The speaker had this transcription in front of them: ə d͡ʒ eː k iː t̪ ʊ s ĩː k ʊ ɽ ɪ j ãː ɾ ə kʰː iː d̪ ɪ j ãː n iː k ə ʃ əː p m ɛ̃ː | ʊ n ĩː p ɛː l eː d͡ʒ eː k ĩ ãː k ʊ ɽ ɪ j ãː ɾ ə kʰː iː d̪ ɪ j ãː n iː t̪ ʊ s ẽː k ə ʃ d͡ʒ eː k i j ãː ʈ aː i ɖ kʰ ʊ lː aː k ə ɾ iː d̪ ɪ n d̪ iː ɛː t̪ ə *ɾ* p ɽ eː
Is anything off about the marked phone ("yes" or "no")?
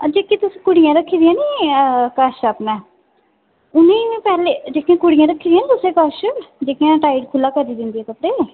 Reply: yes